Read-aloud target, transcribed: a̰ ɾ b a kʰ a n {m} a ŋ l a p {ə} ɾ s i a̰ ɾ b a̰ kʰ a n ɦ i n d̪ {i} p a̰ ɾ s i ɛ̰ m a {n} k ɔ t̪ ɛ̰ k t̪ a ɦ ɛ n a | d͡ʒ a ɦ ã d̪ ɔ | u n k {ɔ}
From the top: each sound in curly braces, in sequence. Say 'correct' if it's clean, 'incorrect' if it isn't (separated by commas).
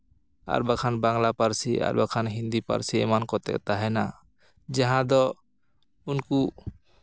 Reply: incorrect, incorrect, correct, correct, incorrect